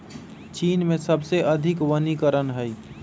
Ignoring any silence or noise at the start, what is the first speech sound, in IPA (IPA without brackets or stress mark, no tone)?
t͡ʃ